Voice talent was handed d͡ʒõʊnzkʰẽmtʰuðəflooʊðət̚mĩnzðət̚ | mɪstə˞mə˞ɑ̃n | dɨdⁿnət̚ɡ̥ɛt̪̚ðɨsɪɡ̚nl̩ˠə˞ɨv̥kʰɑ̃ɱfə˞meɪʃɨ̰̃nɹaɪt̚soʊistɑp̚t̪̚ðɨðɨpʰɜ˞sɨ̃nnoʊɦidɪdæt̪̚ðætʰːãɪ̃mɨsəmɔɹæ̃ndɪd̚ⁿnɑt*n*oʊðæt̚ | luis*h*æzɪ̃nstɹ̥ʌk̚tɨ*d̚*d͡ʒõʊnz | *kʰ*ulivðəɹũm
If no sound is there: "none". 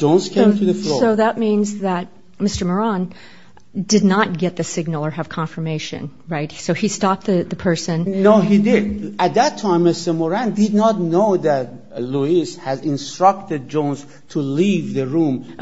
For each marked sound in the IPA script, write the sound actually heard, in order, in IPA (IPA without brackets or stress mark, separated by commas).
n, h, d̚, tʰ